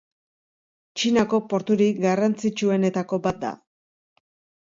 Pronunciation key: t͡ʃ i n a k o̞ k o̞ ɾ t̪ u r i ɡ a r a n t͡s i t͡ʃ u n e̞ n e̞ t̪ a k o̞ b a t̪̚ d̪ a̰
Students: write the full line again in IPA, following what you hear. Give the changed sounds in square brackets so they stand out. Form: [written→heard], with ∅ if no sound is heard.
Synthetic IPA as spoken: t͡ʃ i n a k o̞ [k→p] o̞ ɾ t̪ u [r→ɾ] i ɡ a r a n t͡s i t͡ʃ u [n→∅] e̞ n e̞ t̪ a k o̞ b a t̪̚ d̪ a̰